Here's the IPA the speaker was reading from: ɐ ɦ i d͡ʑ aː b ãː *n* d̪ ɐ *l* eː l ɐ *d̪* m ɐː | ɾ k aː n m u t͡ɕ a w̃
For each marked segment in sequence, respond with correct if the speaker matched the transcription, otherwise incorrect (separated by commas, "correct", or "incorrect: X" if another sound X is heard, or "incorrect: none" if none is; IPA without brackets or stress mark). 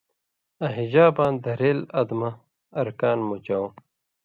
correct, incorrect: ɾ, correct